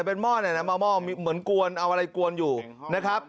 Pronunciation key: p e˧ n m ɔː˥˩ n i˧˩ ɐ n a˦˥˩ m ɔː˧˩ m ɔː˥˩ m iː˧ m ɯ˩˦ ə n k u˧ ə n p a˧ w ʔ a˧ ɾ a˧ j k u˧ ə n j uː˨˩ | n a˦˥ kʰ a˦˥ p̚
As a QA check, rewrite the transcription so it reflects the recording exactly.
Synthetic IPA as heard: p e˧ n m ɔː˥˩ n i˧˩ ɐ n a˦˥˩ m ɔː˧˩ m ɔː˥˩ m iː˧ m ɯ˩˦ ə n k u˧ ə n ʔ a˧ w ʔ a˧ ɾ a˧ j k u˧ ə n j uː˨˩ | n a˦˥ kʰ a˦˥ p̚